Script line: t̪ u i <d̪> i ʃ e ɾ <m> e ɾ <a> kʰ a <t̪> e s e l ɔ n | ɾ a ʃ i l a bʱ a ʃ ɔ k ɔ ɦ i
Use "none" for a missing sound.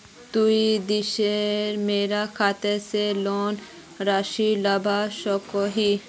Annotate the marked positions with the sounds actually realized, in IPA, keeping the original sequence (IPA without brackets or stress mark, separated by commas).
d̪, m, a, t̪